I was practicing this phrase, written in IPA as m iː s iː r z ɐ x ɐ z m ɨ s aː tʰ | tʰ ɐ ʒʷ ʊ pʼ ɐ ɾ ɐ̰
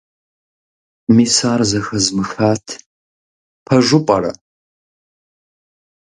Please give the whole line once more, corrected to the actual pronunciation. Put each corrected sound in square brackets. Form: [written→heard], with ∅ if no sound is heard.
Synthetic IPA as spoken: m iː s [iː→aː] r z ɐ x ɐ z m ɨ [s→x] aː tʰ | [tʰ→pʰ] ɐ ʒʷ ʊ pʼ ɐ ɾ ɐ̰